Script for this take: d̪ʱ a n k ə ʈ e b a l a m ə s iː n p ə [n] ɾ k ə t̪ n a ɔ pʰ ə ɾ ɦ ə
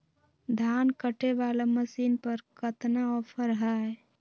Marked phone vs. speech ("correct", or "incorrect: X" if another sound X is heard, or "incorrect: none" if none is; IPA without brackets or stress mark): incorrect: none